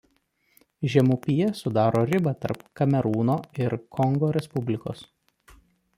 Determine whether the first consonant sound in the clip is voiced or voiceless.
voiced